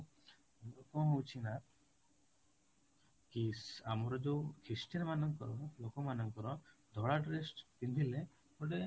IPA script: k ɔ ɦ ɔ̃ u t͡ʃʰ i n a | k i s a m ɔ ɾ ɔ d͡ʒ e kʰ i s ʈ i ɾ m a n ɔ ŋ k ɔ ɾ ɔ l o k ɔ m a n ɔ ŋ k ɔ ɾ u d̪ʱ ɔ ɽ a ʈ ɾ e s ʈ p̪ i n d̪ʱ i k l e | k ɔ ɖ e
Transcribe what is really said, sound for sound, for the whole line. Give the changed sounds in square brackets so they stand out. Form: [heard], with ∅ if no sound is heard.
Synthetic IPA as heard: k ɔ ɦ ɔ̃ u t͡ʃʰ i n a | k i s a m ɔ ɾ ɔ d͡ʒ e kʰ i s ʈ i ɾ m a n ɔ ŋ k ɔ ɾ ɔ l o k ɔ m a n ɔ ŋ k ɔ ɾ [ɔ] d̪ʱ ɔ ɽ a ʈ ɾ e s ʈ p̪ i n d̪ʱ i [∅] l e | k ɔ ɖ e